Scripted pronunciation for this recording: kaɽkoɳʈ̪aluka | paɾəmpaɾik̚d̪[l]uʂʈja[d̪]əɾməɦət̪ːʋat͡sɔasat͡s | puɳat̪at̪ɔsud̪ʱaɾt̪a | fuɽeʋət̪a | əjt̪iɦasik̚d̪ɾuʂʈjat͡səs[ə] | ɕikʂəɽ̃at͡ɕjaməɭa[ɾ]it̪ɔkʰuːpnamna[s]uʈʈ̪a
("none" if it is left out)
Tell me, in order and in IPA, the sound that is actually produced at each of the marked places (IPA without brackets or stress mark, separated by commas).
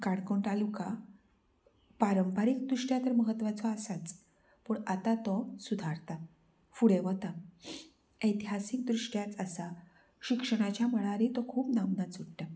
ɾ, t̪, a, ɾ, t͡s